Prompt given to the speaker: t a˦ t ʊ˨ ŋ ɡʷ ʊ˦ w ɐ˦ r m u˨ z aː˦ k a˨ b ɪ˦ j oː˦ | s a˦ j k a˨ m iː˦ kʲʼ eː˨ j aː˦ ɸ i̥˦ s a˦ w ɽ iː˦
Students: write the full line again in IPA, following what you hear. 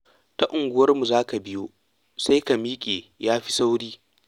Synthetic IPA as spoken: t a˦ ʔ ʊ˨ ŋ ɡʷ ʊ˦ w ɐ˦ r m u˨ z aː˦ k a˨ b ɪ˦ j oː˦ | s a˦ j k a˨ m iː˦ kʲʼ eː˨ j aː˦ ɸ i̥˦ s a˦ w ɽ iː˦